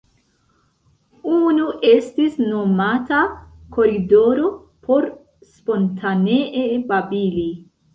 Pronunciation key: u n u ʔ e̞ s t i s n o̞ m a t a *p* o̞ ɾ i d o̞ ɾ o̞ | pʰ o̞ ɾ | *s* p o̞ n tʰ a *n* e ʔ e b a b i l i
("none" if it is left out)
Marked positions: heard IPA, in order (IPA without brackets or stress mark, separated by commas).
k, s, n